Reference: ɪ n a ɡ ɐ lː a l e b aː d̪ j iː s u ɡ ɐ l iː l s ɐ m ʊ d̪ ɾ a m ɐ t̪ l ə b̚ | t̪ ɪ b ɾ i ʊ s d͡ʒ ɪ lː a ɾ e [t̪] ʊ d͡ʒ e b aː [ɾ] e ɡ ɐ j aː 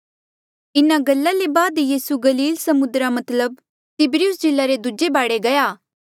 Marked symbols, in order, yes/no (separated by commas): no, no